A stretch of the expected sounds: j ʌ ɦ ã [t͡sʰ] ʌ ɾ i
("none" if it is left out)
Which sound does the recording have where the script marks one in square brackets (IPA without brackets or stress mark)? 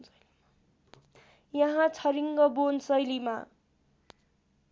t͡sʰ